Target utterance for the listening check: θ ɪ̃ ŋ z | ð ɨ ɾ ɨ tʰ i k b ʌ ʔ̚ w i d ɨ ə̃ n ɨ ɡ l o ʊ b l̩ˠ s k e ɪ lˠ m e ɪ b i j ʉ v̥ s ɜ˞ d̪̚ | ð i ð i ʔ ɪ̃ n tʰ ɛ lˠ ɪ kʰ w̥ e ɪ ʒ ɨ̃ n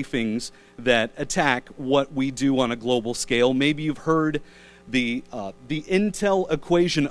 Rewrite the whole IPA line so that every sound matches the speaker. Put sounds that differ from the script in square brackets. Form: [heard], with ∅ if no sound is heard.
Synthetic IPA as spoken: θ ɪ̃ ŋ z | ð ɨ ɾ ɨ tʰ [æ] k [w] ʌ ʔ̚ w i d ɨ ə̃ n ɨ ɡ l o ʊ b l̩ˠ s k e ɪ lˠ m e ɪ b i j ʉ v̥ [h] ɜ˞ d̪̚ | ð i ð i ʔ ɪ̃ n tʰ ɛ lˠ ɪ kʰ w̥ e ɪ ʒ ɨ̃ n